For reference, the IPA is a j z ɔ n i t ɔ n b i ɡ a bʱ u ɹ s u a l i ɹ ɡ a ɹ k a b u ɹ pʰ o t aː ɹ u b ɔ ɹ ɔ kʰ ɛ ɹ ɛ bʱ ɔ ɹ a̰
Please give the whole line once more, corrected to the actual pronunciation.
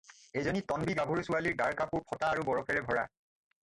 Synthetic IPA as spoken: e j z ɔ n i t ɔ n b i ɡ a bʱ u ɹ s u a l i ɹ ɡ a ɹ k a p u ɹ pʰ ɔ t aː ɹ u b ɔ ɹ ɔ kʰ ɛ ɹ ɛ bʱ ɔ ɹ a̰